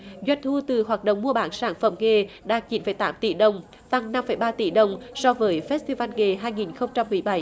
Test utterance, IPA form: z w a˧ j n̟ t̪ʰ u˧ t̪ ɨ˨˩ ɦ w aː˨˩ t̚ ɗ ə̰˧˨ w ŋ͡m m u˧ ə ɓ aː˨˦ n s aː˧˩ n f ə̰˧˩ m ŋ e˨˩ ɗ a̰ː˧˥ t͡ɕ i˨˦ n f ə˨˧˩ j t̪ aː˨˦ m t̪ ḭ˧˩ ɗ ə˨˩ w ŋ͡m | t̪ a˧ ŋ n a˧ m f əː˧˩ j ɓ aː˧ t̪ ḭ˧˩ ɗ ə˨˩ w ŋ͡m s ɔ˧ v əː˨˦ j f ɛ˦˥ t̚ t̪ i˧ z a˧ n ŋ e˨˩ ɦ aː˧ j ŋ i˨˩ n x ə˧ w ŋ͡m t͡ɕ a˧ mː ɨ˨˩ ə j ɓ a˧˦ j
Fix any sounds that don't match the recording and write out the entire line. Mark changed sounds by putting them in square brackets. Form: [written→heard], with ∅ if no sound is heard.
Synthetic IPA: z w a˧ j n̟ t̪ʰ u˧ t̪ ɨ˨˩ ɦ w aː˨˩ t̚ ɗ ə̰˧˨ w ŋ͡m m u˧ ə ɓ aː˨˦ n s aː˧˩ n f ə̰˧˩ m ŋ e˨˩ ɗ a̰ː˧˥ t͡ɕ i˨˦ n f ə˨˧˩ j t̪ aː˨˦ m t̪ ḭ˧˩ ɗ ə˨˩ w ŋ͡m | t̪ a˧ ŋ n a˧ m f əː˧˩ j ɓ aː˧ t̪ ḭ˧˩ ɗ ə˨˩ w ŋ͡m s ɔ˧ v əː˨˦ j f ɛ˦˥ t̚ t̪ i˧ [z→v] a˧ n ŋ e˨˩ ɦ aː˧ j ŋ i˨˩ n x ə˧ w ŋ͡m t͡ɕ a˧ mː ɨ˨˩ ə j ɓ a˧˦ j